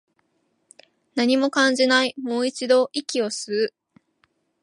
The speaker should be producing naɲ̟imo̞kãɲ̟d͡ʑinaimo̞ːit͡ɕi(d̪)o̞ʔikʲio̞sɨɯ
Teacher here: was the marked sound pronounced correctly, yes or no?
yes